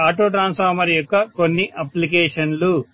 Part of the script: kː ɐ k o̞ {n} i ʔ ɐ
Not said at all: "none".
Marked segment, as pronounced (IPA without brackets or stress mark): nː